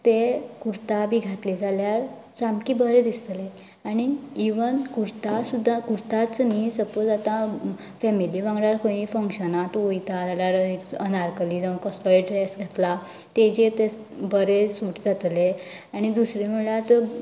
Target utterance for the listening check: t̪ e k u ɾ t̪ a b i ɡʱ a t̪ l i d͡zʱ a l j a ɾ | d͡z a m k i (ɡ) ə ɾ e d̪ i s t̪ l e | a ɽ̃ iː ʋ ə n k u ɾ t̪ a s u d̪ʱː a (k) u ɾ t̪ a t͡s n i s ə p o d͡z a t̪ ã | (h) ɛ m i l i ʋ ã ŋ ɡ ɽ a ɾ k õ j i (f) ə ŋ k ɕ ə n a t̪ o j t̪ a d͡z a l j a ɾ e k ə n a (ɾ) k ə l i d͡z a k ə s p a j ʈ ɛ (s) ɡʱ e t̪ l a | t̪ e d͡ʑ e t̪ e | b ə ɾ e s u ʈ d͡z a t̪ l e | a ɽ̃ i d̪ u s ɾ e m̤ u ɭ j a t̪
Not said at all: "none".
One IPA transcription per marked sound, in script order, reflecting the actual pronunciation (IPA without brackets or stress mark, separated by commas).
b, k, f, f, ɾ, s